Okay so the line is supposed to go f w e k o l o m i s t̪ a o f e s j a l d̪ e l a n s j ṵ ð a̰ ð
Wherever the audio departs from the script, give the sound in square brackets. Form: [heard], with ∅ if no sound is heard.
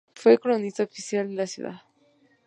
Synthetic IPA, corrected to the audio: f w e k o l o [n] i s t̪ a o f [i] s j a l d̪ e l a [∅] s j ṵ ð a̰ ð